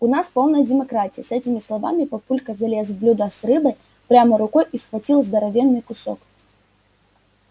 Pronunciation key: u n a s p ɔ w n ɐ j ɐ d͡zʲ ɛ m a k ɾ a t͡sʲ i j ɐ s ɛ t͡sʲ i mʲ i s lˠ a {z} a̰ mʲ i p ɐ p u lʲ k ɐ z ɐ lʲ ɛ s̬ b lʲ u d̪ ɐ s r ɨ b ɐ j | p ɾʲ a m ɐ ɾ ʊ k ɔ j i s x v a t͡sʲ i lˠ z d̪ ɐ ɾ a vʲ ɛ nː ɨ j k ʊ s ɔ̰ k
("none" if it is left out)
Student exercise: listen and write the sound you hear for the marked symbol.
v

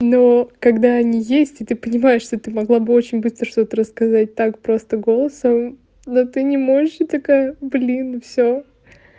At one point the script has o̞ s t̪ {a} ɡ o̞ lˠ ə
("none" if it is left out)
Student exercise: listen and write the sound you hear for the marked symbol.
ə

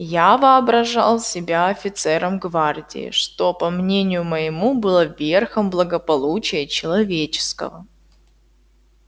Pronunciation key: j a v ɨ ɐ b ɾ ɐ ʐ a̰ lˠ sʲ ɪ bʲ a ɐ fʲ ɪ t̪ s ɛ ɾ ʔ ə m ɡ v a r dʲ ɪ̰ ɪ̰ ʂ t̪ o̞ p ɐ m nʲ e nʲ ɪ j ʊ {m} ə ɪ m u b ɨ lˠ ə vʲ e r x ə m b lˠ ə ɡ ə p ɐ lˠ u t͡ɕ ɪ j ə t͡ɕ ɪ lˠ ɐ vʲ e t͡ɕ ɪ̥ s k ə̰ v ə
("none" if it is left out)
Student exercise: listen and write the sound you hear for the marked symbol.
m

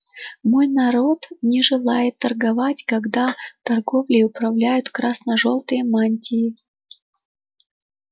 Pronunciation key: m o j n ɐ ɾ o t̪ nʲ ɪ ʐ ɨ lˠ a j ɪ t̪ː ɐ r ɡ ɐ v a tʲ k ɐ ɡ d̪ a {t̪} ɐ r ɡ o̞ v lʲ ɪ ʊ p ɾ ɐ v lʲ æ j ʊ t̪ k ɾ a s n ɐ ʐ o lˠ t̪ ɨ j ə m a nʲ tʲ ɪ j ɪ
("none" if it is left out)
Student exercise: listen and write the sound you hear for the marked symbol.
t̪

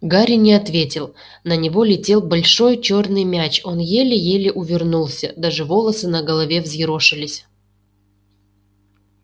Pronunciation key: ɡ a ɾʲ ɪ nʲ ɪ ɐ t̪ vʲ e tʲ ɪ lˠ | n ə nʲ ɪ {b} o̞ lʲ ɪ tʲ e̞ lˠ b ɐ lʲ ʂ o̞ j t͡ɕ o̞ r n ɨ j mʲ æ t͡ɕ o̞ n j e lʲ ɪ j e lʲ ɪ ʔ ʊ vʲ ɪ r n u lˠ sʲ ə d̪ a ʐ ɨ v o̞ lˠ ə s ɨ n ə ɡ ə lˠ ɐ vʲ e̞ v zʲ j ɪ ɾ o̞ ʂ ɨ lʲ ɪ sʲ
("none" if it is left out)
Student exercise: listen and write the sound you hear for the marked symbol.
v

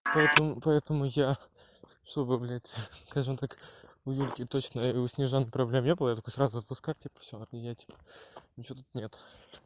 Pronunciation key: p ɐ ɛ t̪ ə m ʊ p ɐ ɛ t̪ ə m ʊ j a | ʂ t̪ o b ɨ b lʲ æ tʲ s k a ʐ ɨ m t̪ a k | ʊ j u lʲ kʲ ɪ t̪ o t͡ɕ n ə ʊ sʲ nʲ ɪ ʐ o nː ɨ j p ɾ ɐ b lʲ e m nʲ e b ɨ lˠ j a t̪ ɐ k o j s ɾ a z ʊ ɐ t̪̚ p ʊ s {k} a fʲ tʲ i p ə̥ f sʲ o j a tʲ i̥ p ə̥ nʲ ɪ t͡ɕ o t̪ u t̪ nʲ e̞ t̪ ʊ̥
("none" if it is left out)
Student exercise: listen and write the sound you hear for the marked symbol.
k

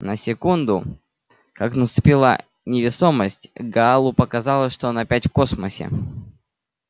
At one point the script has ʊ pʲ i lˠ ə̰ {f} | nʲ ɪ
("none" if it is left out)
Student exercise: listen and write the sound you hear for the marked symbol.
none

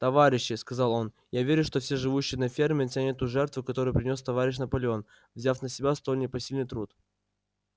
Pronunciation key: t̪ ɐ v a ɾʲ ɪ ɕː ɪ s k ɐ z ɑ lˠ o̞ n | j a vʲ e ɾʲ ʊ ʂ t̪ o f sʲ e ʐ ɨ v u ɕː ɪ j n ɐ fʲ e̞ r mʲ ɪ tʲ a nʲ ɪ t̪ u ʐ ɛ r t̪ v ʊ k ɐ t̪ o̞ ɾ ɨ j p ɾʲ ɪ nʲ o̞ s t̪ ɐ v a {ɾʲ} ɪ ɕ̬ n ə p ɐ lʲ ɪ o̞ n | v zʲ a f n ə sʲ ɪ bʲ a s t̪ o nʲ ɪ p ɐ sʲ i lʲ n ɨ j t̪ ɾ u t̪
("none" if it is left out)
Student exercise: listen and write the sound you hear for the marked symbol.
ɾʲ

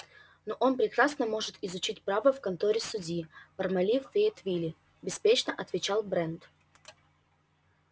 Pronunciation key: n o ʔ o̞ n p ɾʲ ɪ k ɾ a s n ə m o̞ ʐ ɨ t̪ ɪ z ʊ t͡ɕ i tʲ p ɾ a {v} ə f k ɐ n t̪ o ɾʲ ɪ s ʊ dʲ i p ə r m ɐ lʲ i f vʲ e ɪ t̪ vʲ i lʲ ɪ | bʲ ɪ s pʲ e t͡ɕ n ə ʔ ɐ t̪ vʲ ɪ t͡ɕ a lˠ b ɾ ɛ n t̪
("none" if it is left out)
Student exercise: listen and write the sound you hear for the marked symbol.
v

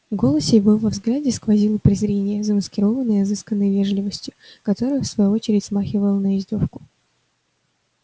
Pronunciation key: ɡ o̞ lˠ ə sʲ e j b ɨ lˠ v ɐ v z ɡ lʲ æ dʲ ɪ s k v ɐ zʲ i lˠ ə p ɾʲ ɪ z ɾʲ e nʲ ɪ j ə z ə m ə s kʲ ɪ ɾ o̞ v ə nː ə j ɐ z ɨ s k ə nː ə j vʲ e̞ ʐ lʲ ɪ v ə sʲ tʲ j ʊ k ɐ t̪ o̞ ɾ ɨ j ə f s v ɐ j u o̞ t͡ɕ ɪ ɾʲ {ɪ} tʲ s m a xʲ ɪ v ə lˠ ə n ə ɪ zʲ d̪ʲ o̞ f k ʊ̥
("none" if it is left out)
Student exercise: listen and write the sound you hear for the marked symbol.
ɪ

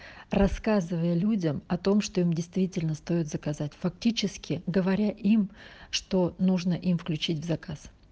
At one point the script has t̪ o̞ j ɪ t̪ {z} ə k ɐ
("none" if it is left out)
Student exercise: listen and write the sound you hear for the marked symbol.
z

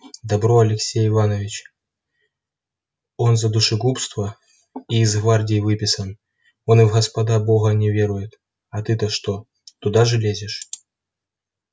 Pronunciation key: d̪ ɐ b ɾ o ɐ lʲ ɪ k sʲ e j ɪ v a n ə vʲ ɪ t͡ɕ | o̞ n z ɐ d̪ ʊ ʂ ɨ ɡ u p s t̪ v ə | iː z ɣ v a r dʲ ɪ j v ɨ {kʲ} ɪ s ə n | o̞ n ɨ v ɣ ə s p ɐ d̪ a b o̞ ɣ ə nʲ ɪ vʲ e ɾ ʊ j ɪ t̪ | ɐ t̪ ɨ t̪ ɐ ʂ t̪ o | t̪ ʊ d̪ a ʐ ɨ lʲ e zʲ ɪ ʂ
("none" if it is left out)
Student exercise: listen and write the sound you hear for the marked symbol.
pʲ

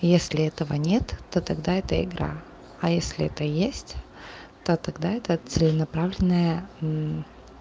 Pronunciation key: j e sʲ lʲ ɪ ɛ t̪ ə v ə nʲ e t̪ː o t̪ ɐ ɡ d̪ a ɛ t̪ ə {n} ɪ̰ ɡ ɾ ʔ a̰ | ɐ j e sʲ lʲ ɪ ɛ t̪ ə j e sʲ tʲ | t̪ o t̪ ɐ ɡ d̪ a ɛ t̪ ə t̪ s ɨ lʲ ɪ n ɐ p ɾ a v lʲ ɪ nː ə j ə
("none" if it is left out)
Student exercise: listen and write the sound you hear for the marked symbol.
none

